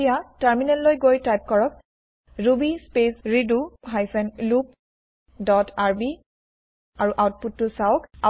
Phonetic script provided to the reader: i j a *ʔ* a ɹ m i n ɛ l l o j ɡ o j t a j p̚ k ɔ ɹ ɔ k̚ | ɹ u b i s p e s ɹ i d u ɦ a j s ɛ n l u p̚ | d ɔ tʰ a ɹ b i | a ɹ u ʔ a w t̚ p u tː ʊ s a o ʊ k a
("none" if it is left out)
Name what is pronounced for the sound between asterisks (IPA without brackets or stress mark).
t